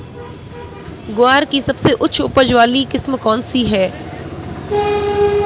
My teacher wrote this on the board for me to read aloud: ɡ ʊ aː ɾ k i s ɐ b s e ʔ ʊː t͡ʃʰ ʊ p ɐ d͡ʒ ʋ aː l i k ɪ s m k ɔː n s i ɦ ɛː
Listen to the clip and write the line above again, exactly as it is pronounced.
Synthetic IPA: ɡ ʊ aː ɾ k i s ɐ b s e ʔ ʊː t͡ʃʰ ʊ p ə d͡ʒ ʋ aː l i k ɪ s m k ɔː n s i ɦ ɛː

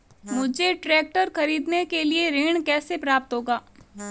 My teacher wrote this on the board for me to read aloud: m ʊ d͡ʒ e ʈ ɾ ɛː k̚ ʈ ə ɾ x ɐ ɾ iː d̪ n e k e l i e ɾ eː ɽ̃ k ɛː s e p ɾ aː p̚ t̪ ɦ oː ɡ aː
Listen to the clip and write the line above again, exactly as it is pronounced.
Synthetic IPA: m ʊ d͡ʒ e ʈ ɾ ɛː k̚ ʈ ə ɾ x ɐ ɾ iː d̪ n e k e l i e ɾ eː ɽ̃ k ɛː s e p ɾ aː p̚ t̪ ɦ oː ɡ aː

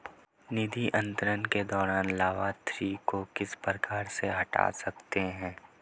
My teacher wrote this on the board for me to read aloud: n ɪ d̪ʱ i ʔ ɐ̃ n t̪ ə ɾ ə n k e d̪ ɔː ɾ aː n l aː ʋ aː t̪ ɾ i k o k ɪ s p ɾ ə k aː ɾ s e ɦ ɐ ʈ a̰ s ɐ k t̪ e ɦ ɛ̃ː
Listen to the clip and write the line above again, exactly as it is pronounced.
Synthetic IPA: n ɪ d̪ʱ i ʔ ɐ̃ n t̪ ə ɾ ə n k e d̪ ɔː ɾ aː n l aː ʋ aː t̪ ɾ i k o k ɪ s p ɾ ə k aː ɾ s e ɦ ɐ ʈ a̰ s ɐ k t̪ e ɦ ɛ̃ː

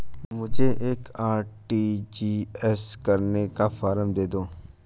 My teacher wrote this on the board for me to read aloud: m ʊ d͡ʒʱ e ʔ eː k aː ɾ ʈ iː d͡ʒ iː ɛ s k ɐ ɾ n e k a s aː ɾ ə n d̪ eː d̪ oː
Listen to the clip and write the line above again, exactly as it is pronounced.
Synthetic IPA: m ʊ d͡ʒʱ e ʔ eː k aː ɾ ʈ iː d͡ʒ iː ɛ s k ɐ ɾ n e k a f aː ɾ ə m d̪ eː d̪ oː

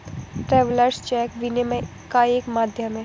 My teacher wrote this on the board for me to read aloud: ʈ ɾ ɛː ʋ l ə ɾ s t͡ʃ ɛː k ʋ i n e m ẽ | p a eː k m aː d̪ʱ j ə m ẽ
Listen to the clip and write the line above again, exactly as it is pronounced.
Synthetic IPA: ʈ ɾ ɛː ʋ l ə ɾ s t͡ʃ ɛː k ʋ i n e m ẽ | k a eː k m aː d̪ʱ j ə m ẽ

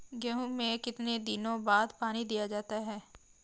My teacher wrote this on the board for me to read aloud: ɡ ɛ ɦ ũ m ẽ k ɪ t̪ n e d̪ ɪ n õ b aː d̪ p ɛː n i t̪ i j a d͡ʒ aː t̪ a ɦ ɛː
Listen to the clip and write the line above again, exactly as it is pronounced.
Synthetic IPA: ɡ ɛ ɦ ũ m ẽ k ɪ t̪ n e d̪ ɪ n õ b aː d̪ p aː n i d̪ i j a d͡ʒ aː t̪ a ɦ ɛː

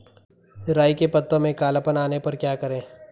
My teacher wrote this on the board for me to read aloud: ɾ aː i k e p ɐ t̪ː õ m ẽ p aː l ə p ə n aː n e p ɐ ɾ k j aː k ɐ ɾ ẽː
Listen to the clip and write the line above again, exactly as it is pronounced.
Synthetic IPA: ɾ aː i k e p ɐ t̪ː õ m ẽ k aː l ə p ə n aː n e p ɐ ɾ k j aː k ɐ ɾ ẽː

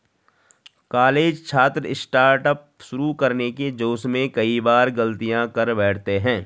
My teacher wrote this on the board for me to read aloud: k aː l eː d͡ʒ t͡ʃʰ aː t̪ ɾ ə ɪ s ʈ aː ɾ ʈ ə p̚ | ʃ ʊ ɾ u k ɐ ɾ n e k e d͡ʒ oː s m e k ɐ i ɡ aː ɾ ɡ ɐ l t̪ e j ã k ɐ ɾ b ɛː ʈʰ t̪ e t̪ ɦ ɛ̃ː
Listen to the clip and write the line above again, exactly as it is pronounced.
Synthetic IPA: k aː l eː d͡ʒ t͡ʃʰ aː t̪ ɾ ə ɪ s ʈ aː ɾ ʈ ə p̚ | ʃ ʊ ɾ u k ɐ ɾ n e k e d͡ʒ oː s m ẽ k ɐ i b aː ɾ ɡ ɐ l t̪ i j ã k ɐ ɾ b ɛː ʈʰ t̪ e ɦ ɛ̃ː

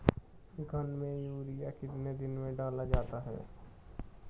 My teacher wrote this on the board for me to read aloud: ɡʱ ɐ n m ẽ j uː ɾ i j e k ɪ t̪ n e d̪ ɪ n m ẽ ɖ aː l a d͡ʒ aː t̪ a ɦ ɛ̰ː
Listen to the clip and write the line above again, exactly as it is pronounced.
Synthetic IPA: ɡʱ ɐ n m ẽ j uː ɾ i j a k ɪ t̪ n e d̪ ɪ n m ẽ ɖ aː l a d͡ʒ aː t̪ a ɦ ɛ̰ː

